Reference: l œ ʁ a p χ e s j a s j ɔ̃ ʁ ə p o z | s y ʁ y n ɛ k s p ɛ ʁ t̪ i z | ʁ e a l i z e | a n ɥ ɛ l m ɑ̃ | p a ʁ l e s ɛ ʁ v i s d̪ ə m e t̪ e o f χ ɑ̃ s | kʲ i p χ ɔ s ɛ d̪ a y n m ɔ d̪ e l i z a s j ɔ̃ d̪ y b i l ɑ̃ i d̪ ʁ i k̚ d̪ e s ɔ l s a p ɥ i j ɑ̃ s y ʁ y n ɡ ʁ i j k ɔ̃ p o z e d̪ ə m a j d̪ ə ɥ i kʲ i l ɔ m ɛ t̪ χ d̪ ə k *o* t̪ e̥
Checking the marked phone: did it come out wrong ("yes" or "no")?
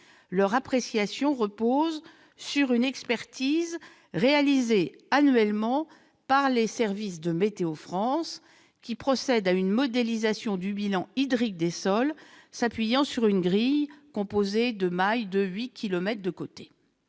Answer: no